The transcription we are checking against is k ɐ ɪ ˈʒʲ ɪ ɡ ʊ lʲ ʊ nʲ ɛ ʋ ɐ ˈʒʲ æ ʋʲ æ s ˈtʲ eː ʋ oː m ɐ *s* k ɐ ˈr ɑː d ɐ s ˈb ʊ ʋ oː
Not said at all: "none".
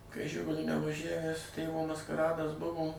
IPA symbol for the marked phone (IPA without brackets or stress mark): s